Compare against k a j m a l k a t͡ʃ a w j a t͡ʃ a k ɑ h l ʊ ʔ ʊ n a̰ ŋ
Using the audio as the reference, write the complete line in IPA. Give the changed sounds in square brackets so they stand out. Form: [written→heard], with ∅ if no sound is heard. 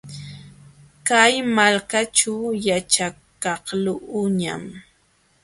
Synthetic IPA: k a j m a l k a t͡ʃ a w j a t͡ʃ a k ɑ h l ʊ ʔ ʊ [n→ɲ] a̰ [ŋ→m]